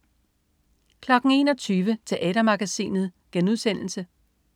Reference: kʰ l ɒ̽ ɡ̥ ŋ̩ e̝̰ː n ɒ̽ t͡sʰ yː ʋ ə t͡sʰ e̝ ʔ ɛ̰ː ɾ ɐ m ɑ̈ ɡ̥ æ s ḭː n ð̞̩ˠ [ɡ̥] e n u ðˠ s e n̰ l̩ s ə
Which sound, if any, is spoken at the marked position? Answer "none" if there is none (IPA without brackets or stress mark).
ɡ̥